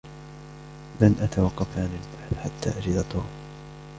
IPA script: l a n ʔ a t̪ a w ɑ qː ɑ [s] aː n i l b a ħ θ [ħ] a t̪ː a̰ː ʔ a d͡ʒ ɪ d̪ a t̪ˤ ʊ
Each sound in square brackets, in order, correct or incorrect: incorrect, correct

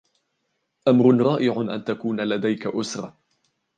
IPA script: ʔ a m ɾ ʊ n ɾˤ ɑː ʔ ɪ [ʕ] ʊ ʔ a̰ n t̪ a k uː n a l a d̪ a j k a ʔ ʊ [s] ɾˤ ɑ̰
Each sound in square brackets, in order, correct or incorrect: correct, correct

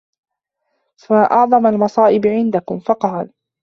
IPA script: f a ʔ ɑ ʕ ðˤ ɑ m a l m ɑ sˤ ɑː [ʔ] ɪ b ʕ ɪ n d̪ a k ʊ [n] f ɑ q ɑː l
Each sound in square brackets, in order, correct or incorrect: correct, incorrect

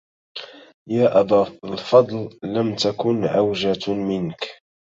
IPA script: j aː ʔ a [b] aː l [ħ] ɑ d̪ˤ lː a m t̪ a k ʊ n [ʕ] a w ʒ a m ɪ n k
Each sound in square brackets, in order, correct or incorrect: correct, incorrect, correct

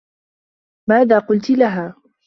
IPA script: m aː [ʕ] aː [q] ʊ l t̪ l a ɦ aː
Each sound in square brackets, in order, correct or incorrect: incorrect, correct

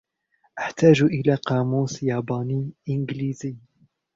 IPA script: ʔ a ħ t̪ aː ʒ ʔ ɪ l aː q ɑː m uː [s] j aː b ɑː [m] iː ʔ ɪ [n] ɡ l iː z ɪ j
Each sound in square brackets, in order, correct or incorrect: correct, incorrect, correct

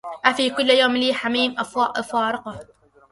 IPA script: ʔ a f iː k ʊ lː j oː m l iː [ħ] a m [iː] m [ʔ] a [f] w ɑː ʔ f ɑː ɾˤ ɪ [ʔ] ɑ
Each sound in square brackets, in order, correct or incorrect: correct, correct, correct, correct, incorrect

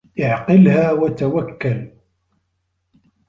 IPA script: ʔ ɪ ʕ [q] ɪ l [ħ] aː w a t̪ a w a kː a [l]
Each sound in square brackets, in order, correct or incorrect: correct, incorrect, correct

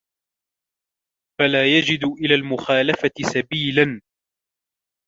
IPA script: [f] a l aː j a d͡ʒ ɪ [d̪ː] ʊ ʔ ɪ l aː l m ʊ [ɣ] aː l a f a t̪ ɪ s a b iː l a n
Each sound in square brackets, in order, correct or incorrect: correct, incorrect, incorrect

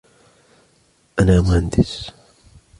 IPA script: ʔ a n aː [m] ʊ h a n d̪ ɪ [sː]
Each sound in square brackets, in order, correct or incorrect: correct, incorrect

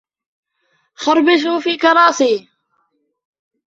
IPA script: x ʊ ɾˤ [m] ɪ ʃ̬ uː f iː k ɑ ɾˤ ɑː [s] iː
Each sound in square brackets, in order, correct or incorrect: incorrect, correct

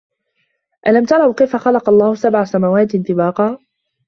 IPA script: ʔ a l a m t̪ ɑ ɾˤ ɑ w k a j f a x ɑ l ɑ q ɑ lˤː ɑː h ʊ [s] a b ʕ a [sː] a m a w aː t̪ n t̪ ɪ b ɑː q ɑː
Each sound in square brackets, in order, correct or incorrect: correct, incorrect

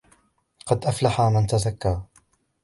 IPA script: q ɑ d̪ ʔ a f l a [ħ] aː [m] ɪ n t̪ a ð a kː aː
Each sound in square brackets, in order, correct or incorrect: correct, correct

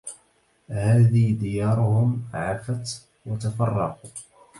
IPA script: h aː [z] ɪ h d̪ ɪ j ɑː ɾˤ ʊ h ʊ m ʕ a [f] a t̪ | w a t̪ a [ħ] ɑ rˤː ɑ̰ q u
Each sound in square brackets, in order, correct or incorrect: incorrect, correct, incorrect

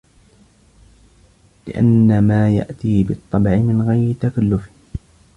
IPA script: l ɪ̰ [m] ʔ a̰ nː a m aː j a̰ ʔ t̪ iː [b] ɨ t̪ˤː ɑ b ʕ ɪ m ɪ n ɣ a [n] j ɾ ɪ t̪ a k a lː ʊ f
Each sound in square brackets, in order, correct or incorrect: incorrect, correct, incorrect

